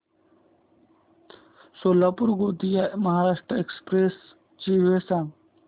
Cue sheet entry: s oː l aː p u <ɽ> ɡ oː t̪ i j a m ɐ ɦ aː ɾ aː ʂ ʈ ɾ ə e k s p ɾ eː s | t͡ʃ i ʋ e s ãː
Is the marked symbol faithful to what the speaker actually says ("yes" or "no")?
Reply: no